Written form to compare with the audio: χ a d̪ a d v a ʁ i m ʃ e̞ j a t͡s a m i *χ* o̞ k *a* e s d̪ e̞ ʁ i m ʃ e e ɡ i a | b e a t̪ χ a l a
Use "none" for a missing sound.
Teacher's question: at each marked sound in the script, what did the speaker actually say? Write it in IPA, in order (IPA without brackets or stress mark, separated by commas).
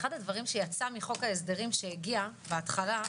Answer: χ, a